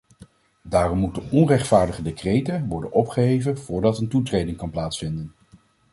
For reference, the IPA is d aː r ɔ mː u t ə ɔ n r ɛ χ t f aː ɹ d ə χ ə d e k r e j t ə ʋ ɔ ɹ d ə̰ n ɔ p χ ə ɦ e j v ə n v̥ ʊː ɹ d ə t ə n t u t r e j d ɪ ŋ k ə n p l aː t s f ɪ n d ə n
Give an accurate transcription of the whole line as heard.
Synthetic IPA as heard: d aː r ɔ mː u t ə ɔ n r ɛ χ t f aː ɹ d ə χ ə d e k r e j t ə ʋ ɔ ɹ d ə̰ n ɔ p χ ə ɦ e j v ə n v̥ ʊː ɹ d ɑ t ə n t u t r e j d ɪ ŋ k ɑ n p l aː t s f ɪ n d ə n